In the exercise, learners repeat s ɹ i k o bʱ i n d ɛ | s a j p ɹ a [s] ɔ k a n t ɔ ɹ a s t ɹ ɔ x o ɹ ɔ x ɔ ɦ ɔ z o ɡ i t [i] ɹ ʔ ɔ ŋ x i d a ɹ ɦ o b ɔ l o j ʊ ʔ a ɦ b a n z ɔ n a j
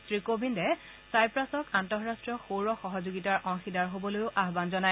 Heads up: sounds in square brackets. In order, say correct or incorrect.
correct, incorrect: a

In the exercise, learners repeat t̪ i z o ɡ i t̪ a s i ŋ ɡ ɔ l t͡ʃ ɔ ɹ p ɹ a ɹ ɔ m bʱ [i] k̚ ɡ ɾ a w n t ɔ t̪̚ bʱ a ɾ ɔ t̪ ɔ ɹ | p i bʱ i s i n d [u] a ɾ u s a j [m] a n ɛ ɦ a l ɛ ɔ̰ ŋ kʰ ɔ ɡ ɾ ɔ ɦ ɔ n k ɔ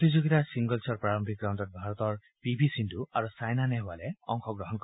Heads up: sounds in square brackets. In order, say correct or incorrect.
correct, correct, incorrect: n

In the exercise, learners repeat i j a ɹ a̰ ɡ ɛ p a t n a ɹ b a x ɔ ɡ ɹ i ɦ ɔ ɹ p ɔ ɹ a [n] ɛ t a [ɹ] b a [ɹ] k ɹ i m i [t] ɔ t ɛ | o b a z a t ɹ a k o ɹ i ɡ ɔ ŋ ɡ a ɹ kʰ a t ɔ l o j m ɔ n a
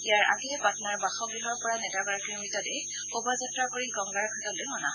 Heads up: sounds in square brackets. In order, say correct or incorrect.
correct, incorrect: none, correct, correct

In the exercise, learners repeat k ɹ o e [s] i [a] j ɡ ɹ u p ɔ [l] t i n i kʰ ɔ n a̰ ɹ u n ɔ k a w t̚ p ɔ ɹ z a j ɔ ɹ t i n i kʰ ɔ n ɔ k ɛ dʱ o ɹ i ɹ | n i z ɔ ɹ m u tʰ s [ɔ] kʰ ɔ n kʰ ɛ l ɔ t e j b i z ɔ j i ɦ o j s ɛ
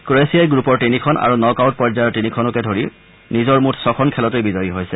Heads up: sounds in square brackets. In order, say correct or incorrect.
correct, correct, incorrect: ɹ, correct

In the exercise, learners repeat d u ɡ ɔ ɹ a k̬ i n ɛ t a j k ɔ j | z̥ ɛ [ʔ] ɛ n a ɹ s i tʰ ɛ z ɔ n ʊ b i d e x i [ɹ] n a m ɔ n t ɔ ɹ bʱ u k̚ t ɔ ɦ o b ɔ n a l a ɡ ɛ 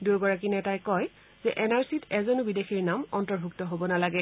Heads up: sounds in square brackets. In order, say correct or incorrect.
correct, correct

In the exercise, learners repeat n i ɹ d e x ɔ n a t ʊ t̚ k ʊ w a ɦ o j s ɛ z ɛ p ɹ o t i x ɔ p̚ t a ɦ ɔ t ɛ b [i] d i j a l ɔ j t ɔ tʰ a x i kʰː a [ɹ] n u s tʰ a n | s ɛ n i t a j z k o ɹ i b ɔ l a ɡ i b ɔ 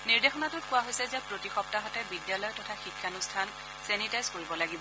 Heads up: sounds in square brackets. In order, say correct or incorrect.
correct, incorrect: none

